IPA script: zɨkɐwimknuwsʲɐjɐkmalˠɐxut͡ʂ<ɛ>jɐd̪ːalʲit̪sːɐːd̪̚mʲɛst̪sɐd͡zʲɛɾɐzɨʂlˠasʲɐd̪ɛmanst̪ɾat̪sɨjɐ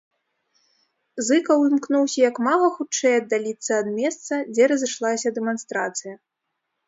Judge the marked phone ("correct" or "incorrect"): correct